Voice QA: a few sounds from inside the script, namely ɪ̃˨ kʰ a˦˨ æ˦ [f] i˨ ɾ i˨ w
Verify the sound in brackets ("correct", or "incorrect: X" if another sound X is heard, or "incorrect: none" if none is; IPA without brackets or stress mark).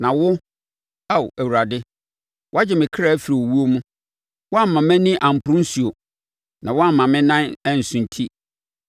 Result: correct